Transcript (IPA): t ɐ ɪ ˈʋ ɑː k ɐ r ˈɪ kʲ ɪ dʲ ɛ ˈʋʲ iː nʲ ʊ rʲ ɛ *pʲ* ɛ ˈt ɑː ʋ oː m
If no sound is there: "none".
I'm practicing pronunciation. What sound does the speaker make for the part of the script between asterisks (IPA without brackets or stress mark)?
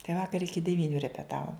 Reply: pʲ